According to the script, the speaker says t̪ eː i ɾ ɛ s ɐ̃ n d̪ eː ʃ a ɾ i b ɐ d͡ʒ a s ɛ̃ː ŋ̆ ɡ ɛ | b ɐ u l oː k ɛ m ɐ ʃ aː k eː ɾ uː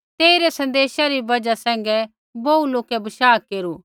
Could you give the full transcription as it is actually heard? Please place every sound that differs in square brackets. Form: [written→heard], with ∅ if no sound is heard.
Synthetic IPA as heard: t̪ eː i ɾ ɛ s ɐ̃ n d̪ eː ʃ a ɾ i b ɐ d͡ʒ a s ɛ̃ː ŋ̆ ɡ ɛ | b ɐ u l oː k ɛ [m→b] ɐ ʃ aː k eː ɾ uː